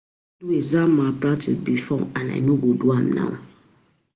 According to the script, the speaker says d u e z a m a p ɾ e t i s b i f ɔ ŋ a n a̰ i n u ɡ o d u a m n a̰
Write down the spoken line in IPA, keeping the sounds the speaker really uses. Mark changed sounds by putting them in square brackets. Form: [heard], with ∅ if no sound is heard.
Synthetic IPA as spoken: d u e z a m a p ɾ [a] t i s b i f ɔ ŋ a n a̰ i n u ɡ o d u a m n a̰